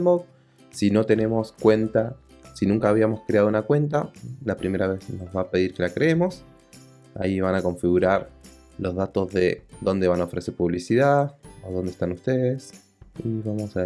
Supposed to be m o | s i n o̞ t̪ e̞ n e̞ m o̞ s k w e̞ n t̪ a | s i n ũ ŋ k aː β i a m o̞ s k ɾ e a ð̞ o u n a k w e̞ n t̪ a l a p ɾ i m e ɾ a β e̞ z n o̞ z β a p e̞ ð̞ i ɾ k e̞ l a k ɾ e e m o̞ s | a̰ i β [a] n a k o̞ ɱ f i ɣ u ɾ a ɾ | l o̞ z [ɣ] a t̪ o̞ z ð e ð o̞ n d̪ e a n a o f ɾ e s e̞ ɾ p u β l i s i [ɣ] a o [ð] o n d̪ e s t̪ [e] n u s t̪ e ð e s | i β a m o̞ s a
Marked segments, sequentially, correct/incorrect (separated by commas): correct, incorrect, incorrect, correct, incorrect